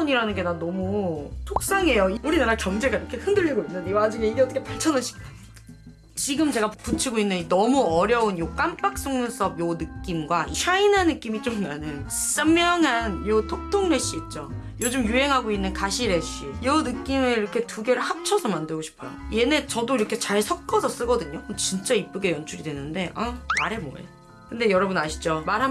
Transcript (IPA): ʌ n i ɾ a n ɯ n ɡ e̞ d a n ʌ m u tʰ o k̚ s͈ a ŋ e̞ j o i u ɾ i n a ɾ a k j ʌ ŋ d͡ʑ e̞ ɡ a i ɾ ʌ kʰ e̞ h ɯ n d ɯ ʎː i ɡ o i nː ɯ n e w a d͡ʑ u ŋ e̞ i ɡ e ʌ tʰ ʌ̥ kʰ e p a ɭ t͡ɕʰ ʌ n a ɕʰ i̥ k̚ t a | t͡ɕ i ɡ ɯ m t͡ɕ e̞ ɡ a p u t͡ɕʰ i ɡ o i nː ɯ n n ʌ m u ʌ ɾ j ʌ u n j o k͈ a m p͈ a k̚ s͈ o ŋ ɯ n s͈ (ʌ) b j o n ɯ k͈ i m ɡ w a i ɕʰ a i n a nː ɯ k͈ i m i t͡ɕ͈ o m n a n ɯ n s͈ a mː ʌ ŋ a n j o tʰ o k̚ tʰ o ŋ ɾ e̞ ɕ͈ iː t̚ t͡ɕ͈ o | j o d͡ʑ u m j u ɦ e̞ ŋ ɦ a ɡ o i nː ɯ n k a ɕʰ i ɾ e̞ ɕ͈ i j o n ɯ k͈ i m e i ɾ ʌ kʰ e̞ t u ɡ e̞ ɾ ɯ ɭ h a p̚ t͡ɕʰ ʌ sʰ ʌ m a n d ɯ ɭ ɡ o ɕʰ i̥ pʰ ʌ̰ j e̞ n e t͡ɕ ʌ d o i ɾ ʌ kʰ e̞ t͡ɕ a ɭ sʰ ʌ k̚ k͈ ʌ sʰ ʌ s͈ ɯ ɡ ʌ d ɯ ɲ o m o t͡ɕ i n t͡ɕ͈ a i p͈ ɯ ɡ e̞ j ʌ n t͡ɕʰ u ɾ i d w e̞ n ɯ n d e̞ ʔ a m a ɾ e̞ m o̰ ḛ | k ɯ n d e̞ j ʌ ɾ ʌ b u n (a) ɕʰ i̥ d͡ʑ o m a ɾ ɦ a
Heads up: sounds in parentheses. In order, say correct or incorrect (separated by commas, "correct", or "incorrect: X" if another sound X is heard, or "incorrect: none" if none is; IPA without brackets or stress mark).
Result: correct, correct